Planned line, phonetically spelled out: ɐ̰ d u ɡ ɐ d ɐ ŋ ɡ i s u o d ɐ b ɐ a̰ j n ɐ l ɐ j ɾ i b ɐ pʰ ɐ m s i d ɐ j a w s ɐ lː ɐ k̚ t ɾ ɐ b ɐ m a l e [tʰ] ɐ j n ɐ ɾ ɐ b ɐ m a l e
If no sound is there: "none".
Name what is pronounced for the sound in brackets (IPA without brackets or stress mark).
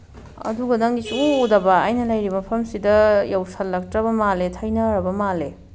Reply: tʰ